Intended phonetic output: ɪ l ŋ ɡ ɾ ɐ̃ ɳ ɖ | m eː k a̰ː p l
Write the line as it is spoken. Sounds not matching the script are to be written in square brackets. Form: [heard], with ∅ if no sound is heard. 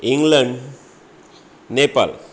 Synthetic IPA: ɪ [∅] ŋ ɡ [l] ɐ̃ ɳ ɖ | [n] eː [p] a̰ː [∅] l